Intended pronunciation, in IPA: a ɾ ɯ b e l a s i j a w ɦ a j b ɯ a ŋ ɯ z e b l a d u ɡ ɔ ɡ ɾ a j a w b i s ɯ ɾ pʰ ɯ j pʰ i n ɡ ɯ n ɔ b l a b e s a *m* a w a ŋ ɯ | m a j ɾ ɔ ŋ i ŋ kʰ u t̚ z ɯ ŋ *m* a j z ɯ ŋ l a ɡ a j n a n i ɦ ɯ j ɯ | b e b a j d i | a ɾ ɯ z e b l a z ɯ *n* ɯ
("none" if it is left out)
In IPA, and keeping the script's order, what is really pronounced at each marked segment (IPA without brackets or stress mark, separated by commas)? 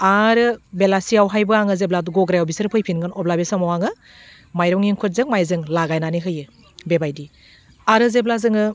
m, m, ŋ